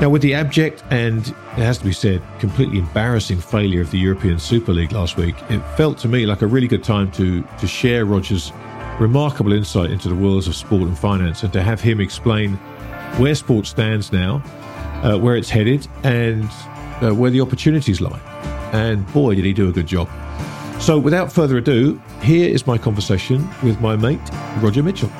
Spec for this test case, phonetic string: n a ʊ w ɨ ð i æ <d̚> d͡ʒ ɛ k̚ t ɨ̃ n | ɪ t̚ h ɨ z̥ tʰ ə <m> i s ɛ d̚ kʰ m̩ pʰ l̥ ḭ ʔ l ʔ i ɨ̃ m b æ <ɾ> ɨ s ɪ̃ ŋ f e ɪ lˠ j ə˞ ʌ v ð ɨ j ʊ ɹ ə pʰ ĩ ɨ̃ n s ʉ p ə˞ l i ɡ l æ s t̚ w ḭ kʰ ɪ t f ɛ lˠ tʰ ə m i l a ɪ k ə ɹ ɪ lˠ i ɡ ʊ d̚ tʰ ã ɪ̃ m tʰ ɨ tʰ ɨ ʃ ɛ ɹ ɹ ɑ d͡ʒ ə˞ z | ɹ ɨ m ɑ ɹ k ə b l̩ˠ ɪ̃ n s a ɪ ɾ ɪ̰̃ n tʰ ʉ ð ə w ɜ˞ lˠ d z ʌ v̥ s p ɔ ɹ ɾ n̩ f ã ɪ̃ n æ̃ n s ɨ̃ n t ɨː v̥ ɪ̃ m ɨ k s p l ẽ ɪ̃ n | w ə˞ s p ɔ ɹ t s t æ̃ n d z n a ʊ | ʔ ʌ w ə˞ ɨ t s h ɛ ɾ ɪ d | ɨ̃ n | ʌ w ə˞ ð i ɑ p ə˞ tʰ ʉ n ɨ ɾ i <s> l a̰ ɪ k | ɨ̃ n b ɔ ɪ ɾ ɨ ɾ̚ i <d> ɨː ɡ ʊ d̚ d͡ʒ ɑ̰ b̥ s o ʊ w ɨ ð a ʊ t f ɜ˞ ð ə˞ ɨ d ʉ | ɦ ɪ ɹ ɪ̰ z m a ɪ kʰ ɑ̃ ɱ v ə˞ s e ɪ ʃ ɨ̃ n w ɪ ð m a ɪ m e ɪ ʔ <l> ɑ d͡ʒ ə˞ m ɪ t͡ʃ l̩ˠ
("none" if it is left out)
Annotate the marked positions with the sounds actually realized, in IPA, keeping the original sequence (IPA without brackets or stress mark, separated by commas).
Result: b̚, b, ɹ, z, d, ɹ